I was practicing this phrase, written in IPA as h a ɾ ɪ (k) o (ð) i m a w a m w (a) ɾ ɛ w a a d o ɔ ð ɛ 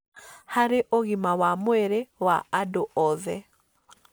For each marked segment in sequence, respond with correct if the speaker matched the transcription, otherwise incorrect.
incorrect: ʔ, incorrect: ɣ, incorrect: ɛ

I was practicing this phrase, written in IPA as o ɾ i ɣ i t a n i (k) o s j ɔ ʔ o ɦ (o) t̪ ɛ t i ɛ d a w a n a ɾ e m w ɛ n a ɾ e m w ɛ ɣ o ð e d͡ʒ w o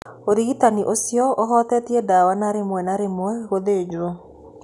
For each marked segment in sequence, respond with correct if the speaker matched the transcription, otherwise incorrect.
incorrect: ʔ, incorrect: ɔ

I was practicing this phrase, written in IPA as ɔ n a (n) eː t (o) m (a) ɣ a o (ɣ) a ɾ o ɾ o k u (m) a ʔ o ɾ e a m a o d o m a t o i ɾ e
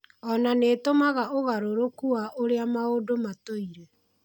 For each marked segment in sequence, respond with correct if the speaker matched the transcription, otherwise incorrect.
correct, correct, correct, correct, incorrect: none

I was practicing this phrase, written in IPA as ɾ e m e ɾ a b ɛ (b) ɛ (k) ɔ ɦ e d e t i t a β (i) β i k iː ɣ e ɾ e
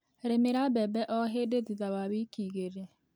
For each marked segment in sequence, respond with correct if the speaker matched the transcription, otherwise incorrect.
correct, incorrect: ʔ, incorrect: a

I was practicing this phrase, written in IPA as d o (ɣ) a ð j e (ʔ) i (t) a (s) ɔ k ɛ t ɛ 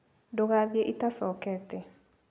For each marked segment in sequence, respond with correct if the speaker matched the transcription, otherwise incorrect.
correct, correct, correct, correct

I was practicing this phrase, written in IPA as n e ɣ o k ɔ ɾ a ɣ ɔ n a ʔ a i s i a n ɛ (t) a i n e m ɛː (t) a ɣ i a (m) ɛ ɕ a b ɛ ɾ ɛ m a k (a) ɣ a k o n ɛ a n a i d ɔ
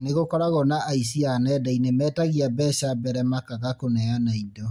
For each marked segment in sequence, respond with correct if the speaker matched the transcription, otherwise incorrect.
incorrect: d, correct, incorrect: b, correct

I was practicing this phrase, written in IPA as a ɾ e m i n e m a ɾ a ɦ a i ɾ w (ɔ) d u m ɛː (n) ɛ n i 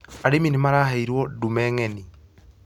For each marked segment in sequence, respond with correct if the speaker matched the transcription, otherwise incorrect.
correct, incorrect: ŋ

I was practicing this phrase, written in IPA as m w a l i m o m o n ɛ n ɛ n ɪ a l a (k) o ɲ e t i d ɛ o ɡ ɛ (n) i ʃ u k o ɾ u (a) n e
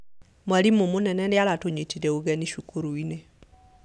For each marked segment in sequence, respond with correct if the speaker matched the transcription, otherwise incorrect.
incorrect: t, correct, incorrect: i

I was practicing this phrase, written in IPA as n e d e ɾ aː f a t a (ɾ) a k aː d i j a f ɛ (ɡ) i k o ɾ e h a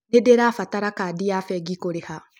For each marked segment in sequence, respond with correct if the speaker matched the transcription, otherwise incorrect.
correct, correct

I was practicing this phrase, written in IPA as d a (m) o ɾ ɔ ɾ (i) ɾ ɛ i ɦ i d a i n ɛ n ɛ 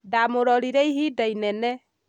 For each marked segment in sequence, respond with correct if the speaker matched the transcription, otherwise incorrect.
correct, correct

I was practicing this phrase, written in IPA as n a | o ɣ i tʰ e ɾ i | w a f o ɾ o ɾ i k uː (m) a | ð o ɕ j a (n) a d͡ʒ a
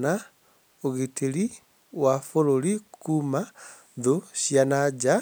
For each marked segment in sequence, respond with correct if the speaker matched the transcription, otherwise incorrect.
correct, correct

